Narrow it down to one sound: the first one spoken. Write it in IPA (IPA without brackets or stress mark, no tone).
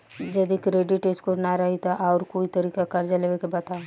d͡ʒ